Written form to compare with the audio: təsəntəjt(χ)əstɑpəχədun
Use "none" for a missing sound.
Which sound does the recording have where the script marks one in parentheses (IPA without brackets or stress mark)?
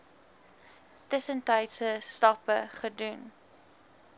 s